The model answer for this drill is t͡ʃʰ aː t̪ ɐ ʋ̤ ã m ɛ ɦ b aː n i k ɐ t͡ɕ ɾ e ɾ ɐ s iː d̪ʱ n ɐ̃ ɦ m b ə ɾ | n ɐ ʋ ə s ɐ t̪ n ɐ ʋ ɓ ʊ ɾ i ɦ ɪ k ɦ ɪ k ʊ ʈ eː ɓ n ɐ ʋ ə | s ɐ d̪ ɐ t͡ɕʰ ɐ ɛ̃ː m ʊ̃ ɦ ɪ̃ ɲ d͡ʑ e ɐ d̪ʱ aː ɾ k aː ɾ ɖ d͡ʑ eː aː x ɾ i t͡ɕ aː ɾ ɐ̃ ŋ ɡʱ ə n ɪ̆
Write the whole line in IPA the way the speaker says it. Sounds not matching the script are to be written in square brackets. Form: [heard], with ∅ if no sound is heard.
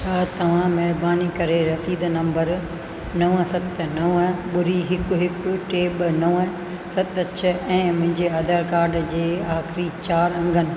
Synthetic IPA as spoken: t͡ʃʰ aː t̪ ɐ ʋ̤ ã m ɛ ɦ b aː n i k ɐ [∅] ɾ e ɾ ɐ s iː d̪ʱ n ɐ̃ [∅] m b ə ɾ | n ɐ ʋ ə s ɐ t̪ n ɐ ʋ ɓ ʊ ɾ i ɦ ɪ k ɦ ɪ k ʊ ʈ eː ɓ n ɐ ʋ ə | s ɐ [t̪] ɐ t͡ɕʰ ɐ ɛ̃ː m ʊ̃ ɦ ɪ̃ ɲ d͡ʑ e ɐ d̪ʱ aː ɾ k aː ɾ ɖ d͡ʑ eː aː x ɾ i t͡ɕ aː ɾ ɐ̃ ŋ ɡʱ ə n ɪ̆

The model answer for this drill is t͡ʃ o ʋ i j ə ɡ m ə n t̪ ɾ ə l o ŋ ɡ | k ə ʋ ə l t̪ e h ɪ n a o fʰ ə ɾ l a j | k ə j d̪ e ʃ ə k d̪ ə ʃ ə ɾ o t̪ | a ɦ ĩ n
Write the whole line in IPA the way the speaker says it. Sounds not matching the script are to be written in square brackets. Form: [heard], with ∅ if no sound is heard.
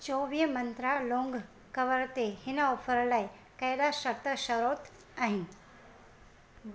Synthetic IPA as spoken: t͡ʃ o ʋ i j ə [∅] m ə n t̪ ɾ [a] l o ŋ ɡ | k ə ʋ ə [ɾ] t̪ e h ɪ n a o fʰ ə ɾ l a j | k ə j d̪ [a] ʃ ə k [t̪] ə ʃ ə ɾ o t̪ | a ɦ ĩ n

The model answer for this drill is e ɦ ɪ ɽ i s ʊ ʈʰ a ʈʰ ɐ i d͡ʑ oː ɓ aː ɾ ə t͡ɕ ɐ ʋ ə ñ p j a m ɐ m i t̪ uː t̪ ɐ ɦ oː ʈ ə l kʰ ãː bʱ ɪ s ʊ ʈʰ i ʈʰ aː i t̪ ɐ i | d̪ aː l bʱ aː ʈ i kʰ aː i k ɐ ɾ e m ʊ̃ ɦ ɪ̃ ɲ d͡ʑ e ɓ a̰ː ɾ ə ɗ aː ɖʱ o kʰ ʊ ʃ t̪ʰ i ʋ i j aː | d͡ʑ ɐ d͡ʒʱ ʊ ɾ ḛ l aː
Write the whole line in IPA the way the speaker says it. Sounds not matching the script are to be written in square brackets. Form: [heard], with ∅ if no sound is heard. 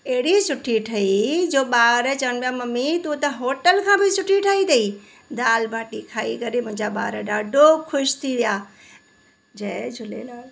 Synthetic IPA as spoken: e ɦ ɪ ɽ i s ʊ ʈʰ [i] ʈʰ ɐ i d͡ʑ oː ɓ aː ɾ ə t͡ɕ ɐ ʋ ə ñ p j a m ɐ m i t̪ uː t̪ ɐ ɦ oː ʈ ə l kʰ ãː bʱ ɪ s ʊ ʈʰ i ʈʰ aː i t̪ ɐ i | d̪ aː l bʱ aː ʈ i kʰ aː i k ɐ ɾ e m ʊ̃ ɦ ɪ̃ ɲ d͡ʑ [a] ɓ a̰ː ɾ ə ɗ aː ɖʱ o kʰ ʊ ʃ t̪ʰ i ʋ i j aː | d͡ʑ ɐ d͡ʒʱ ʊ [l] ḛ l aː

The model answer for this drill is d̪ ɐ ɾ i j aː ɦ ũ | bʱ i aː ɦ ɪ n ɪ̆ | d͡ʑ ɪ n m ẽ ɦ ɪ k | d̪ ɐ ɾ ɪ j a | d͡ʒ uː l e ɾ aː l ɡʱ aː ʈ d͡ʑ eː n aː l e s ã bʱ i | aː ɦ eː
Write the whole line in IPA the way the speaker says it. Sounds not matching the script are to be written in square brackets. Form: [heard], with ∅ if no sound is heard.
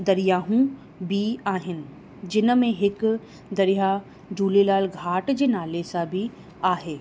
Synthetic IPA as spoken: d̪ ɐ ɾ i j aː ɦ ũ | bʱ i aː ɦ ɪ n ɪ̆ | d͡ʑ ɪ n m ẽ ɦ ɪ k | d̪ ɐ ɾ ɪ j a | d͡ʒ uː l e [l] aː l ɡʱ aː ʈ d͡ʑ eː n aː l e s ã bʱ i | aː ɦ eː

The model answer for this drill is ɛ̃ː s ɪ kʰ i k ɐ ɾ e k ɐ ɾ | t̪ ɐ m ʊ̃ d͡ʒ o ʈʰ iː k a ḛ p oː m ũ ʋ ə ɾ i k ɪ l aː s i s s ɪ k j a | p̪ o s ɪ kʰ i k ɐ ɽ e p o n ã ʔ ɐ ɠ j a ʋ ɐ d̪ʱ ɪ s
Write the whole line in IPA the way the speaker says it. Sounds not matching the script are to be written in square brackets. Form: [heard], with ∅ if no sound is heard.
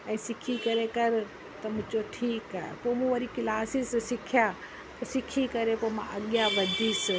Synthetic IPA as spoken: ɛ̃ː s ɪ kʰ i k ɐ ɾ e k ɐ ɾ | t̪ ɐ m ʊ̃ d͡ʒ o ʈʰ iː k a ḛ p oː m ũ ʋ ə ɾ i k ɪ l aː s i s s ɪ [kʰ] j a | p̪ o s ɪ kʰ i k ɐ [ɾ] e p o [m] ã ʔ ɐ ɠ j a ʋ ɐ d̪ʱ [i] s

